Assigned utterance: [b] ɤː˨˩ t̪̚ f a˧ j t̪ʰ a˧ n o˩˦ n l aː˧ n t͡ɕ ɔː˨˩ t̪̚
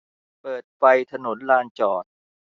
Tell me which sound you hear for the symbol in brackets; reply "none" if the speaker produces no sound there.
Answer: p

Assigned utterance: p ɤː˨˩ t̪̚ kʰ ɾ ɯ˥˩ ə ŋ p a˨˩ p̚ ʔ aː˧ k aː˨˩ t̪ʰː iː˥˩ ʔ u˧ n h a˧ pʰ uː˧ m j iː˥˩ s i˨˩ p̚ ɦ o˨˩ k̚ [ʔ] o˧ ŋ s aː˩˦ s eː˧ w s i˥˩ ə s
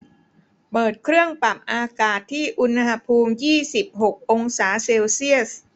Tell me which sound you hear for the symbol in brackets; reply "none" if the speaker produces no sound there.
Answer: ʔ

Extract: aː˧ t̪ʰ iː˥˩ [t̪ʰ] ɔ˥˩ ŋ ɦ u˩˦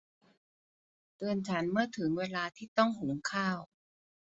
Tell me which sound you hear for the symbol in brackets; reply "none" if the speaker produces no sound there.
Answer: t̪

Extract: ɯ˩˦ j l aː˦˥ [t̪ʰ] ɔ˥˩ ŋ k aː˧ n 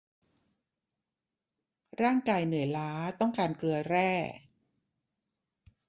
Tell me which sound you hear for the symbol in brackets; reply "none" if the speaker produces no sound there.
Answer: t̪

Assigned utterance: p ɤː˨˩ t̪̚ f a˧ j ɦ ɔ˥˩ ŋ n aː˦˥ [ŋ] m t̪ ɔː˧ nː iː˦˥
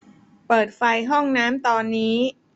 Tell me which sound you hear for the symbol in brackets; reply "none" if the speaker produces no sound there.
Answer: none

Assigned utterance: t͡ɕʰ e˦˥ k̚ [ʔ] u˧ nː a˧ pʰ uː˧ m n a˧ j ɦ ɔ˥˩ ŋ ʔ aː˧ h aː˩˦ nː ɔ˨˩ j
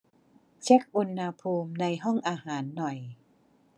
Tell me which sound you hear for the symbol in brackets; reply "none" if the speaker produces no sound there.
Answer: ʔ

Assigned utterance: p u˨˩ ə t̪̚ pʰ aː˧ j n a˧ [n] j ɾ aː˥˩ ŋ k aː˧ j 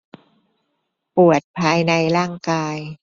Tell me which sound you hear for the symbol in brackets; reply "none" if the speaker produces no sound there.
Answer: none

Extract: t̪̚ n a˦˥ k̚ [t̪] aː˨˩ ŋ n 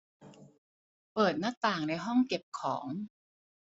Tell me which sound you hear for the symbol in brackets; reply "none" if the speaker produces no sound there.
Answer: t̪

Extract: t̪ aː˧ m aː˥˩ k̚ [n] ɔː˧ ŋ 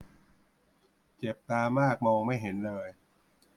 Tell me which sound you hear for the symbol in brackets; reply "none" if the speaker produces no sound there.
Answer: m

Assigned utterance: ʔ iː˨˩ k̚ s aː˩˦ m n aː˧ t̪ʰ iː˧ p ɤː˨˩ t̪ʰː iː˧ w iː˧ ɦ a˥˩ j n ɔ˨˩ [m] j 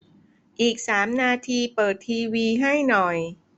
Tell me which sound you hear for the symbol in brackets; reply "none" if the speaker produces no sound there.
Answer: none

